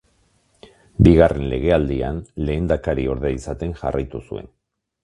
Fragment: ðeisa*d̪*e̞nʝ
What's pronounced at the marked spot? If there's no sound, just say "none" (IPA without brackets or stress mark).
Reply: t̪